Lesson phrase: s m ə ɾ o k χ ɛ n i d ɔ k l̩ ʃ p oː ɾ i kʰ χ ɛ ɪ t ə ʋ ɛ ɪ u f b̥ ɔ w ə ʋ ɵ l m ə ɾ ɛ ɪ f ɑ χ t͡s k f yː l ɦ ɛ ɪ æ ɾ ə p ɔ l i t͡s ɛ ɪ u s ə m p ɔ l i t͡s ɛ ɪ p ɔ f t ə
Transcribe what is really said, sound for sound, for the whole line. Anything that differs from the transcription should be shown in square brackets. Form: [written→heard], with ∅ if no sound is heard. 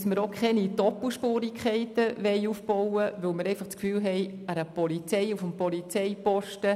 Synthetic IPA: s m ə ɾ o k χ ɛ n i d ɔ [k→p] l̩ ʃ p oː ɾ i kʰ χ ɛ ɪ t ə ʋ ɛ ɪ u f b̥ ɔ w ə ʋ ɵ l m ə ɾ ɛ ɪ f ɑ χ t͡s k f yː l ɦ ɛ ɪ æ ɾ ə p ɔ l i t͡s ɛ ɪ u [s→f] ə m p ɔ l i t͡s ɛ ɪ p ɔ [f→ʃ] t ə